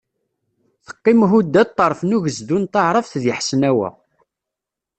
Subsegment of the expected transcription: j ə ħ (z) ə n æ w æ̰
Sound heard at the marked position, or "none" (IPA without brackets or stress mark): s